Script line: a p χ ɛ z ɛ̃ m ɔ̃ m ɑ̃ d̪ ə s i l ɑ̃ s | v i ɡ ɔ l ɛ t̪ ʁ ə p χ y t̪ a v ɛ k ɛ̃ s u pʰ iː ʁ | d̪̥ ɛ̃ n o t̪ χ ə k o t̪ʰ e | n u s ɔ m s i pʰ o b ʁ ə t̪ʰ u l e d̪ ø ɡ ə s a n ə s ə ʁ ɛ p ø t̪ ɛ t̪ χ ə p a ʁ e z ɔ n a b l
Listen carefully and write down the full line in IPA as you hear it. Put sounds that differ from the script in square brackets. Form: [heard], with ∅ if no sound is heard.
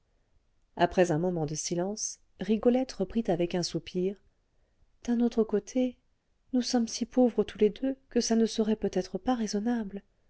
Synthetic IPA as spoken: a p χ ɛ z ɛ̃ m [ɔ] m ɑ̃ d̪ ə s i l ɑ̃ s | [ʁ] i ɡ ɔ l ɛ t̪ ʁ ə p χ [i] t̪ a v ɛ k ɛ̃ s u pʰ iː ʁ | d̪̥ ɛ̃ n o t̪ χ ə k o t̪ʰ e | n u s ɔ m s i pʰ o [v] ʁ ə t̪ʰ u l e d̪ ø [k] ə s a n ə s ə ʁ ɛ p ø t̪ ɛ t̪ χ ə p a ʁ e z ɔ n a b l